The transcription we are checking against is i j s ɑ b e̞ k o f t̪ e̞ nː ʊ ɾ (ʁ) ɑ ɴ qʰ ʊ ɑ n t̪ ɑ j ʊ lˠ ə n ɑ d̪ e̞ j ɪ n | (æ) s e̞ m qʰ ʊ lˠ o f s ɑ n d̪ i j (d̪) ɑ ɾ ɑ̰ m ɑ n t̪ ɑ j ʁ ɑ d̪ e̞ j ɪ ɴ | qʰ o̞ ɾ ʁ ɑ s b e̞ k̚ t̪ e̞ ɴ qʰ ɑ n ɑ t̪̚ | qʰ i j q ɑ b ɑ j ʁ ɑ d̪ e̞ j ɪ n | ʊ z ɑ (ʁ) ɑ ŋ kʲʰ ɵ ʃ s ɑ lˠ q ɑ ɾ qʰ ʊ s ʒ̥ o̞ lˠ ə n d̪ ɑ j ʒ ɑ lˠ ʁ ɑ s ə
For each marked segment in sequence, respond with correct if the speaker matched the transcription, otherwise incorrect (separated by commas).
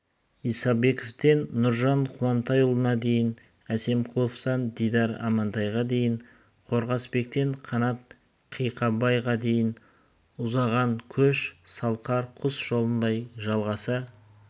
incorrect, correct, correct, correct